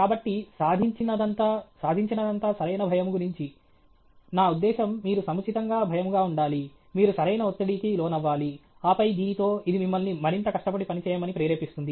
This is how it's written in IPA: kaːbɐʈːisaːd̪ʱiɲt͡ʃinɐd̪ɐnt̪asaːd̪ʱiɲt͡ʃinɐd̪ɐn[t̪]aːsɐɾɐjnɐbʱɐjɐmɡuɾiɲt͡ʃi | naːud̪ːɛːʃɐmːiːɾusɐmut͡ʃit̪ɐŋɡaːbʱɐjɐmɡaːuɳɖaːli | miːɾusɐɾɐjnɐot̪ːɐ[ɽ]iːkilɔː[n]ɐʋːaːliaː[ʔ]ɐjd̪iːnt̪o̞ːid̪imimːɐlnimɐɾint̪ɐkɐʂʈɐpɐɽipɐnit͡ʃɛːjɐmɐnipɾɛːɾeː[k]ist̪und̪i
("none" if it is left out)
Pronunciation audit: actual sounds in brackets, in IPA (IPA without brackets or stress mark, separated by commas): t̪, ɽ, n, p, p